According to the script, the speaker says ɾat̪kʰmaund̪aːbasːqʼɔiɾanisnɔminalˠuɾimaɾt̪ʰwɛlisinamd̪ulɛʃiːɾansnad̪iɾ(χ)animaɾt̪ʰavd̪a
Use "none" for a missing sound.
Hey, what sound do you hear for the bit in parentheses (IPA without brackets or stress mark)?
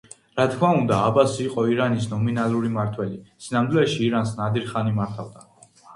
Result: χ